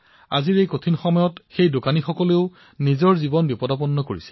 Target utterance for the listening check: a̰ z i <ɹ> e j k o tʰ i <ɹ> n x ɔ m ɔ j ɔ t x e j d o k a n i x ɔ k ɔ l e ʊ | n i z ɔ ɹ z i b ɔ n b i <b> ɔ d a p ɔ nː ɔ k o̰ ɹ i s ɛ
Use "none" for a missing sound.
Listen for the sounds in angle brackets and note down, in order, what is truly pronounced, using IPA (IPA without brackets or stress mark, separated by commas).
ɹ, none, p